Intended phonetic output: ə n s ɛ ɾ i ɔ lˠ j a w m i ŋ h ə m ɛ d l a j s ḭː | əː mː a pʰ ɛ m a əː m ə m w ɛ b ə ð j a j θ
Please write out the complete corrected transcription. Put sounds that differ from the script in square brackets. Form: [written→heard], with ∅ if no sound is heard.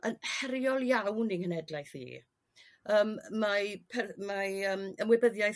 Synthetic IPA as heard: ə n [s→h] ɛ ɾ [i→j] ɔ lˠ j a w [m→n] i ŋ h ə [m→n] ɛ d l a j [s→θ] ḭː | əː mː a pʰ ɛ m a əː m ə m w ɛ b ə ð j a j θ